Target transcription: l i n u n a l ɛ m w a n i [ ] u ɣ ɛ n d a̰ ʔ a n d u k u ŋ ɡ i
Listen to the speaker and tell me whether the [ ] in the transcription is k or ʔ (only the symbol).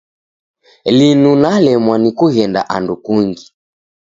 k